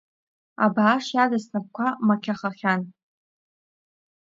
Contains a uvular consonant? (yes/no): yes